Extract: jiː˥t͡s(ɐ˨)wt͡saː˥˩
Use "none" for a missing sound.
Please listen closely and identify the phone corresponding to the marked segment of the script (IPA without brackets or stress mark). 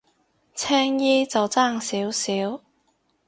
ɐ˨